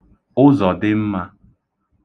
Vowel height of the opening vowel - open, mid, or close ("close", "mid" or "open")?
close